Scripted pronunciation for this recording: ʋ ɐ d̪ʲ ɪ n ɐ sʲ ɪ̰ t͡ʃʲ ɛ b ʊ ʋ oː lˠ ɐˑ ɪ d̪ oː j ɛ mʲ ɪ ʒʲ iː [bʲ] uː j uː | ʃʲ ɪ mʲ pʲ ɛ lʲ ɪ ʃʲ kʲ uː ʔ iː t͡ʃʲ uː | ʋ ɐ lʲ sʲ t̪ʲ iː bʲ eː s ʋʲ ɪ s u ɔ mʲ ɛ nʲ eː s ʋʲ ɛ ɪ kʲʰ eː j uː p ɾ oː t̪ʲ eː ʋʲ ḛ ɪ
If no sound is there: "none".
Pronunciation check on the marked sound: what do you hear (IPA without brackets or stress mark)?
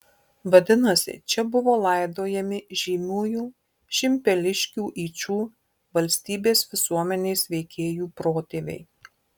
mʲ